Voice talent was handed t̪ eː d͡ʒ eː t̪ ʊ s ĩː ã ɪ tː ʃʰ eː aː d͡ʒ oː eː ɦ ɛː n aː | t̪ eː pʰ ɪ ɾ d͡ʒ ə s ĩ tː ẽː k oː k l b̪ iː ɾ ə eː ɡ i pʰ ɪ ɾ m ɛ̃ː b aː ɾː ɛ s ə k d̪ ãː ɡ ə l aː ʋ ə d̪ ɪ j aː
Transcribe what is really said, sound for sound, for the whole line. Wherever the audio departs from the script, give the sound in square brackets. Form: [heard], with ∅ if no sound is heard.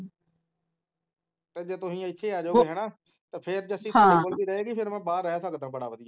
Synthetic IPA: t̪ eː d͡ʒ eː t̪ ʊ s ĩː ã ɪ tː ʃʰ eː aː d͡ʒ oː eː ɦ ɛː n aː | t̪ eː pʰ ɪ ɾ d͡ʒ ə s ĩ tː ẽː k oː [∅] l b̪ iː ɾ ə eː ɡ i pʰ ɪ ɾ m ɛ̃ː b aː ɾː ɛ s ə k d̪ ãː [b] ə [ɽ] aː ʋ ə d̪ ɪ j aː